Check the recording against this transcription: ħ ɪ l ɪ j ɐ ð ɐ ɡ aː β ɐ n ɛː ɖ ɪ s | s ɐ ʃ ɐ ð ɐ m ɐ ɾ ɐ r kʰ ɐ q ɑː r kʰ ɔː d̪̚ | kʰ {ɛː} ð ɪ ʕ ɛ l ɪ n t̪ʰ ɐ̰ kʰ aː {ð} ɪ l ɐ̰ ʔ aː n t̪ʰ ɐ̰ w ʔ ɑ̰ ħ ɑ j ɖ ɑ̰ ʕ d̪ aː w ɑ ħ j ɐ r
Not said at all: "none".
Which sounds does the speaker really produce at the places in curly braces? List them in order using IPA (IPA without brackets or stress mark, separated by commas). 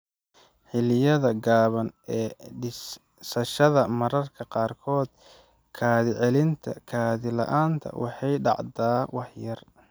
aː, ð